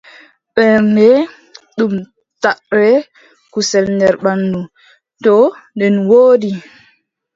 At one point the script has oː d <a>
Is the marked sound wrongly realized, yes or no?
yes